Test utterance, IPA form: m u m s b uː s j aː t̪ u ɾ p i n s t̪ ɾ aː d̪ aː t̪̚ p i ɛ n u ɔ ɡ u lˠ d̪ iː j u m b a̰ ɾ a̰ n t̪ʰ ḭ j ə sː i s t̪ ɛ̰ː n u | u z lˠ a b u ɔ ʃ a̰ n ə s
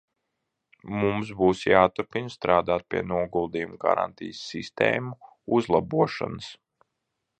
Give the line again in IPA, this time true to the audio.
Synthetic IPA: m u m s b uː s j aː t̪ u ɾ p i n s t̪ ɾ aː d̪ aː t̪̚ p i ɛ n u ɔ ɡ u lˠ d̪ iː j u m ɡ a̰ ɾ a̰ n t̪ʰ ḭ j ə sː i s t̪ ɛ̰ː m u | u z lˠ a b u ɔ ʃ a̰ n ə s